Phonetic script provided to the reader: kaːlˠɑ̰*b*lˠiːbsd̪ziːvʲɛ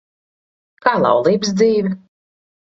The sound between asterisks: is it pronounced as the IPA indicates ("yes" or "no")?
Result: no